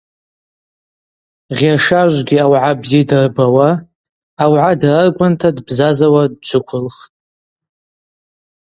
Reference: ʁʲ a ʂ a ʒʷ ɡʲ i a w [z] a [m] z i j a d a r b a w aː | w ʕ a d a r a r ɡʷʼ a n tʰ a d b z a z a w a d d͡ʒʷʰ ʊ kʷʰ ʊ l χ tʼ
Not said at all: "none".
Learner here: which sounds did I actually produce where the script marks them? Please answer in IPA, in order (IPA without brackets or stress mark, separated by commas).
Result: ʕ, b